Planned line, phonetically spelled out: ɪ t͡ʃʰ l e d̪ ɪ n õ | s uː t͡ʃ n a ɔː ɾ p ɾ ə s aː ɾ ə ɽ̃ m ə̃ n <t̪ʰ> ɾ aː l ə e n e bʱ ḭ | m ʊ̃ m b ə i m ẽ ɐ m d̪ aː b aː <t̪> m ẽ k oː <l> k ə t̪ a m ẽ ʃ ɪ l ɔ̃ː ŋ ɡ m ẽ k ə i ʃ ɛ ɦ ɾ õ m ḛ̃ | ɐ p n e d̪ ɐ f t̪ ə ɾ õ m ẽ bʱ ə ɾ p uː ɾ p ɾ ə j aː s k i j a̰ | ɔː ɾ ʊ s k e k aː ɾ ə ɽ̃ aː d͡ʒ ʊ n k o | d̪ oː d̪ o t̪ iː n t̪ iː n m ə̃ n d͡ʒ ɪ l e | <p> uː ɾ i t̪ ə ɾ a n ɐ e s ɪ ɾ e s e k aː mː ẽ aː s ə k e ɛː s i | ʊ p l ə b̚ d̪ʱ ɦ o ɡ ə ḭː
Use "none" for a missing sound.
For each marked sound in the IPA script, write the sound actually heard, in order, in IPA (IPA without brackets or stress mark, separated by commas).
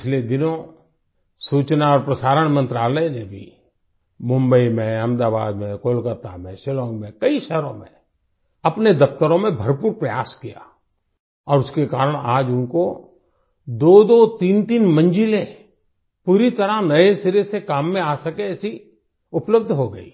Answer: t̪, d̪, l, p